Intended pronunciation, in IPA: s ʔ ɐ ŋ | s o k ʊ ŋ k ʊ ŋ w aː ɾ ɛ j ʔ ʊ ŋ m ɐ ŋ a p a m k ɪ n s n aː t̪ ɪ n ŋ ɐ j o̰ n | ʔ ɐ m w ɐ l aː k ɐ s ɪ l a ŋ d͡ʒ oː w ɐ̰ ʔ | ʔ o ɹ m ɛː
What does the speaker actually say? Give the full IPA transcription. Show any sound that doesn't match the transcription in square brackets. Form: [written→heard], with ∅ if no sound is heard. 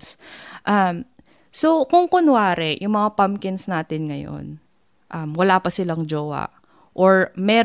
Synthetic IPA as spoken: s ʔ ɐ [ŋ→m] | s o k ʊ ŋ k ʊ [ŋ→n] w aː ɾ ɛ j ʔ ʊ ŋ m ɐ ŋ a p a m k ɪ n s n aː t̪ ɪ n ŋ ɐ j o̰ n | ʔ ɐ m w ɐ l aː [k→p] ɐ s ɪ l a ŋ d͡ʒ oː w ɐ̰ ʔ | ʔ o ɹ m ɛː